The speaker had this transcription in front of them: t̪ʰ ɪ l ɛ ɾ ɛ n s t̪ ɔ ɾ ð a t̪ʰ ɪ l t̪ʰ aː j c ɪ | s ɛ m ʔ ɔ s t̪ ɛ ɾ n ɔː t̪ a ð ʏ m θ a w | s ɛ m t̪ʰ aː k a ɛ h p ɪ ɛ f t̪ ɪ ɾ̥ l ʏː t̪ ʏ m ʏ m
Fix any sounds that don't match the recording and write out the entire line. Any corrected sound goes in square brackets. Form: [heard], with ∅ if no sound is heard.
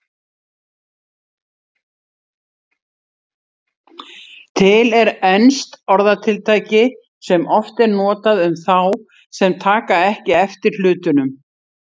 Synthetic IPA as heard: t̪ʰ ɪ l ɛ ɾ ɛ n s t̪ ɔ ɾ ð a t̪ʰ ɪ l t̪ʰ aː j c ɪ | s ɛ m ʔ ɔ [f] t̪ ɛ ɾ n ɔː t̪ a ð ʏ m θ a w | s ɛ m t̪ʰ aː k a ɛ h [c] ɪ ɛ f t̪ ɪ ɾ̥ l ʏː t̪ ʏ [n] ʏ m